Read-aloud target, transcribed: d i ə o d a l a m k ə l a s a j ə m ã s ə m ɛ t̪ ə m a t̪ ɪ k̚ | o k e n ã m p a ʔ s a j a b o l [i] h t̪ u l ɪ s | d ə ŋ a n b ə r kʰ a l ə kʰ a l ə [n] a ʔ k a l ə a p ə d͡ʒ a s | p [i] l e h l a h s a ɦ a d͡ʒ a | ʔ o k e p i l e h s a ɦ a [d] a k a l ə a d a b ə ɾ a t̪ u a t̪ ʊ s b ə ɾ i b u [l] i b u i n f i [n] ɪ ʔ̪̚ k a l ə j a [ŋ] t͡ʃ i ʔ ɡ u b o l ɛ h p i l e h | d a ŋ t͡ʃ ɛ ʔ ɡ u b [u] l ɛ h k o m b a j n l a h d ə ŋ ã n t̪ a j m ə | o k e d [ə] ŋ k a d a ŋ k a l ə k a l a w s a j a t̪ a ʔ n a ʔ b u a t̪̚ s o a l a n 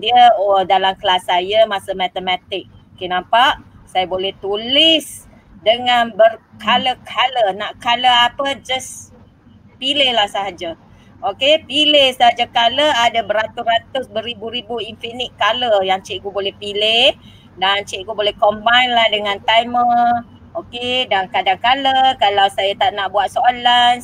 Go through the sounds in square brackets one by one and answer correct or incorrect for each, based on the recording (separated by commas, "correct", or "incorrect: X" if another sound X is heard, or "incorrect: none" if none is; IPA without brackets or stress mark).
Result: incorrect: ɛ, correct, correct, incorrect: d͡ʒ, incorrect: ɾ, correct, correct, incorrect: o, incorrect: a